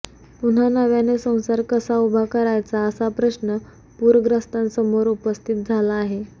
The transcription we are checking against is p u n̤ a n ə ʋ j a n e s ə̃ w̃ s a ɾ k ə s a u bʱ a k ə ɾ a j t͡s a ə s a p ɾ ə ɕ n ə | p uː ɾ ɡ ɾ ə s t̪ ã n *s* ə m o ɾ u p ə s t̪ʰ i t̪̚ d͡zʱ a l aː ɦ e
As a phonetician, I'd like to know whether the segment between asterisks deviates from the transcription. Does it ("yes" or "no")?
no